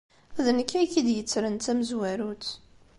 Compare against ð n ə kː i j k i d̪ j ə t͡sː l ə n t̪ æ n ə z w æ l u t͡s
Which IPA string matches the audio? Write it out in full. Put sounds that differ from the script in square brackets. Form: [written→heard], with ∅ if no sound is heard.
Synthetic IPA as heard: ð n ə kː [i→æ] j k i d̪ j ə t͡sː [l→ɾ] ə n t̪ æ [n→m] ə z w æ [l→ɾ] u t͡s